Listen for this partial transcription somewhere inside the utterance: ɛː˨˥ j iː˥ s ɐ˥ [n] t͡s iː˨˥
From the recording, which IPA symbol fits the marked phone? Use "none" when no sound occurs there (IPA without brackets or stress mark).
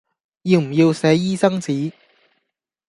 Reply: ŋ